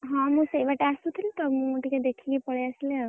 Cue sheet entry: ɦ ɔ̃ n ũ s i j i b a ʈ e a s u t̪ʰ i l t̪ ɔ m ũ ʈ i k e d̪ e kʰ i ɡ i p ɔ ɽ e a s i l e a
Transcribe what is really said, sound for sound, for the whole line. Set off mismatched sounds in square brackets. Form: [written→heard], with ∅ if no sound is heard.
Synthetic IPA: ɦ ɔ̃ [n→m] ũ s [i→e] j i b a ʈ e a s u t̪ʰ i l t̪ ɔ m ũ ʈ i k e d̪ e kʰ i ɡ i p ɔ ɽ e a s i l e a